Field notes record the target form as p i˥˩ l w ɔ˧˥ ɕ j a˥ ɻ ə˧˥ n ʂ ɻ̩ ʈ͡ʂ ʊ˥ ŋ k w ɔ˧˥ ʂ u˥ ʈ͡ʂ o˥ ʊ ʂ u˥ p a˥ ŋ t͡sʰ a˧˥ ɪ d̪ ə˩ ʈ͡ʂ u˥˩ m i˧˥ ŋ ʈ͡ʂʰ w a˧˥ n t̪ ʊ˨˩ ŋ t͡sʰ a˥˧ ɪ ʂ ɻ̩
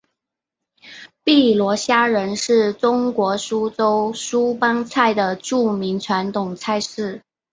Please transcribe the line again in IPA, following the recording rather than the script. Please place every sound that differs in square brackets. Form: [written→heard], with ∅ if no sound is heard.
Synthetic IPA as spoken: p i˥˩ l w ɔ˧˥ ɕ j a˥ ɻ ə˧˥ n ʂ ɻ̩ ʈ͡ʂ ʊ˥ ŋ k w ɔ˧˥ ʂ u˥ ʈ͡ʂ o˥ ʊ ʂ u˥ p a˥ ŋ t͡sʰ [a˧˥→a˥˩] ɪ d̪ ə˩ ʈ͡ʂ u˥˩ m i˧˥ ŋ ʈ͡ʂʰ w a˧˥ n t̪ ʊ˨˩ ŋ t͡sʰ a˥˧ ɪ ʂ ɻ̩